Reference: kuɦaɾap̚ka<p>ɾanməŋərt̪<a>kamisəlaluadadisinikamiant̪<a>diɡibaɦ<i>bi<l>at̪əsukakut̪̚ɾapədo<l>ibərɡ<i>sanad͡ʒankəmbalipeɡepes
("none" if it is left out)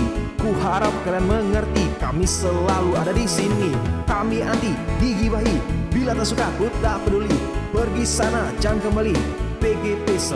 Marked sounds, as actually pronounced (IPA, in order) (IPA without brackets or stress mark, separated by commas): none, i, i, i, l, l, i